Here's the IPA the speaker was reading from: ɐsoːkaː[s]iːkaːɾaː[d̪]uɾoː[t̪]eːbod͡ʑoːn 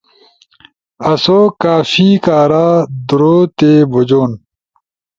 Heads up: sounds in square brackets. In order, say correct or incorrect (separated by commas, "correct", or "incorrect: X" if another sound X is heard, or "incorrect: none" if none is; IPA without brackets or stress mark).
incorrect: f, correct, correct